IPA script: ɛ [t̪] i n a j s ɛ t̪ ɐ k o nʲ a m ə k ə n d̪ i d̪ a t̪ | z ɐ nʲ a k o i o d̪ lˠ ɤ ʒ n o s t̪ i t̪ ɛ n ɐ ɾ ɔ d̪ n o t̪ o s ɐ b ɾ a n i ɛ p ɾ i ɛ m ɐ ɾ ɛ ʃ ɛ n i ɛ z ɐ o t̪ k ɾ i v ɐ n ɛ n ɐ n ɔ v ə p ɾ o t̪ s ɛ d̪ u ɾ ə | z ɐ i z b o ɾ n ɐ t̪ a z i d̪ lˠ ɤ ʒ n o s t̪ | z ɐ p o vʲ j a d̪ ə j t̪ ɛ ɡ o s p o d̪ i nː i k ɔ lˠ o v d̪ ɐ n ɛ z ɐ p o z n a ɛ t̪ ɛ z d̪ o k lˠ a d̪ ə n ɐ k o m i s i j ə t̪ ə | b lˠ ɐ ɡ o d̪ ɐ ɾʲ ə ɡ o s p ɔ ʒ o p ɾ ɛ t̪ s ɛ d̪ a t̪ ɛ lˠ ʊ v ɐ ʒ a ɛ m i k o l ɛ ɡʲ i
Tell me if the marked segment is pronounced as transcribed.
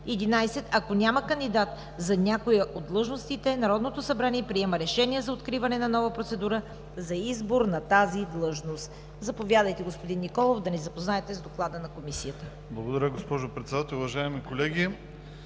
no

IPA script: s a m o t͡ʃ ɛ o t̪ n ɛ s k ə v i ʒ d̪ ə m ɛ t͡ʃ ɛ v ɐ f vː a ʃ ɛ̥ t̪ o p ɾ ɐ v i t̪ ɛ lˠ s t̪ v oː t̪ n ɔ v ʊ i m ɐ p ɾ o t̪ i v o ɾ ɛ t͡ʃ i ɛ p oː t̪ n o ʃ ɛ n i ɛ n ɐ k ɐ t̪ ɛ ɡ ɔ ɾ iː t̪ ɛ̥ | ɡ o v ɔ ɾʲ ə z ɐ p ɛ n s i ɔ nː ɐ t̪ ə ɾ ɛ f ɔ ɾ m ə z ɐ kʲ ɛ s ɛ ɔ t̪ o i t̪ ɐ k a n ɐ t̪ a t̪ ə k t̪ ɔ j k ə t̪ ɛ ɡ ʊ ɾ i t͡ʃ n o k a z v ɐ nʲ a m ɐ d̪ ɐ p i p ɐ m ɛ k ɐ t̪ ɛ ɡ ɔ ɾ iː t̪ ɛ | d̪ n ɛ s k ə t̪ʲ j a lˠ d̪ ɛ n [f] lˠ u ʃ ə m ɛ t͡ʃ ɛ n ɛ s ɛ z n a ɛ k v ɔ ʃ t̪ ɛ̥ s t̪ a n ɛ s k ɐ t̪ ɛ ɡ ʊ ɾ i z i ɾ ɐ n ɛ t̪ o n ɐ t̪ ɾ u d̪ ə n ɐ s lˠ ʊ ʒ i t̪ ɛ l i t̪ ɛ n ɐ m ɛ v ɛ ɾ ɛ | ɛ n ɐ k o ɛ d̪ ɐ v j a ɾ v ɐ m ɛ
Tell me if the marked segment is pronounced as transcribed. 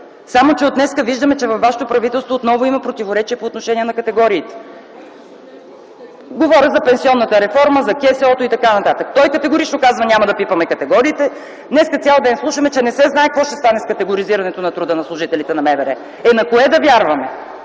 no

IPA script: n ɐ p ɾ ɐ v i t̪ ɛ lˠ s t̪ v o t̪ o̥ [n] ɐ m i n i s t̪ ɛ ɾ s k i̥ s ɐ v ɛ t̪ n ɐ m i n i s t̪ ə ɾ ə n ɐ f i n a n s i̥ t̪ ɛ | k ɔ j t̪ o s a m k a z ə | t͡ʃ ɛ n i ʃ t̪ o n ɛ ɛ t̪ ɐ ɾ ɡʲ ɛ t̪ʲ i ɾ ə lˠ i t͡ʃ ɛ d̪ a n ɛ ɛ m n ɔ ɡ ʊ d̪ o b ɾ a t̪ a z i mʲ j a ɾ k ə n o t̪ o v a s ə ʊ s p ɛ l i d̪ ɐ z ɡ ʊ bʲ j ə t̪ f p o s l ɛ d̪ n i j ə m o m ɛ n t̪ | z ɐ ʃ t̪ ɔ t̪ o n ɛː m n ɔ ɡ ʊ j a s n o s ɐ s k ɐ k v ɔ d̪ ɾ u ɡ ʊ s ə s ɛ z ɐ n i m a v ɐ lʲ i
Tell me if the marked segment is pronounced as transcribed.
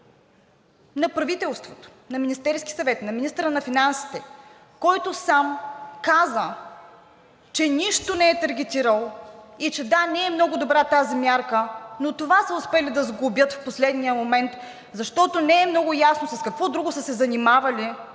yes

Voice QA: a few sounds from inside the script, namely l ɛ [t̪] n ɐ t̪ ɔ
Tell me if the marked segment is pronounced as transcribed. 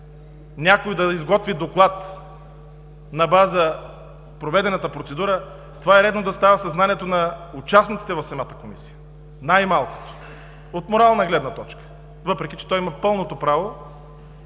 no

